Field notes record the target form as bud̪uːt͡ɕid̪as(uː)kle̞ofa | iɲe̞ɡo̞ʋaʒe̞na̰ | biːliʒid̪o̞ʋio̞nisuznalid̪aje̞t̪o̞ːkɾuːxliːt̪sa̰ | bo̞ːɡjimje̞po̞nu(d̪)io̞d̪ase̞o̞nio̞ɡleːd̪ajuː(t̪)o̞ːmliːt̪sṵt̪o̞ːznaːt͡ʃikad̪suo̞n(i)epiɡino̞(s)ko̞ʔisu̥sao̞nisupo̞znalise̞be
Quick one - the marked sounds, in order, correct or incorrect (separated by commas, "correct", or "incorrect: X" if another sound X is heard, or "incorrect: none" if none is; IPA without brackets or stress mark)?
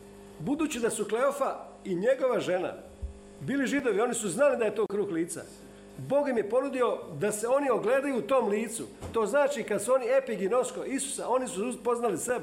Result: incorrect: u, correct, correct, correct, correct